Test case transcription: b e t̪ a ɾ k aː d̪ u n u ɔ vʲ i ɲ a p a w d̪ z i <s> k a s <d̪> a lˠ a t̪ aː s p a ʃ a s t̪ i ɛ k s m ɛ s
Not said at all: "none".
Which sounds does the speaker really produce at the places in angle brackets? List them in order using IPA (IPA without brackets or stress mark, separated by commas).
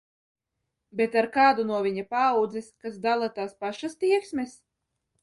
s, d̪